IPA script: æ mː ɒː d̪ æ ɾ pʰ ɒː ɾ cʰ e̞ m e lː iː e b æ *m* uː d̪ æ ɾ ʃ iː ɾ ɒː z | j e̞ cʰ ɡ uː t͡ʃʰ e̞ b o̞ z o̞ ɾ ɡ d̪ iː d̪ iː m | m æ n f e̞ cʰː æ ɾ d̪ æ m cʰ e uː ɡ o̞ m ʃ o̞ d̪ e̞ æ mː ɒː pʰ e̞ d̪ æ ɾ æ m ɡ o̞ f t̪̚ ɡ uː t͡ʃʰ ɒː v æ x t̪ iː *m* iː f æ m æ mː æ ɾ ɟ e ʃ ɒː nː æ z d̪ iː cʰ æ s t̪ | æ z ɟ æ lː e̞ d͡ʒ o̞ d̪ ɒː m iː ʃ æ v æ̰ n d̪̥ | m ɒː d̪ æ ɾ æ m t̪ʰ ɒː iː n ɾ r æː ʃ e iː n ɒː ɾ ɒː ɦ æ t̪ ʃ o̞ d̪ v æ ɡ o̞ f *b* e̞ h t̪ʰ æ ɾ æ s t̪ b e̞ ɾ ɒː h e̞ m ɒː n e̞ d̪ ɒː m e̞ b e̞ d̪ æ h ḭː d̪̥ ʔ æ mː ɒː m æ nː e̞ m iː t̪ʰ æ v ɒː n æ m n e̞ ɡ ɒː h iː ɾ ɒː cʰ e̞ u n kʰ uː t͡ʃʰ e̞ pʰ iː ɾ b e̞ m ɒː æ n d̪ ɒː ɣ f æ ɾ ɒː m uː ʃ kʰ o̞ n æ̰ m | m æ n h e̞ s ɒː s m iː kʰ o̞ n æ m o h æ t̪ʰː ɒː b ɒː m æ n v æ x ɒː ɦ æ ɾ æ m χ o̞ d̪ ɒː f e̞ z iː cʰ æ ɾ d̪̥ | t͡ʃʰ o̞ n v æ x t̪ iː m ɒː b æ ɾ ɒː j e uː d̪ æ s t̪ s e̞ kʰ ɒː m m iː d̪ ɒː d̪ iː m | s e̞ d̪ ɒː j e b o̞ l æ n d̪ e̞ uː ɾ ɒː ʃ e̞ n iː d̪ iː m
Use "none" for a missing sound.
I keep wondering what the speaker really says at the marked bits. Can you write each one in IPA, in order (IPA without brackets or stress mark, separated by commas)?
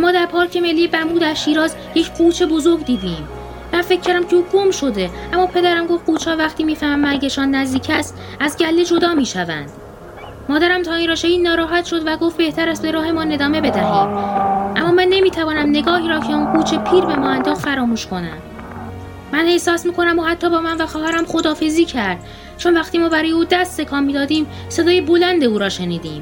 m, m, b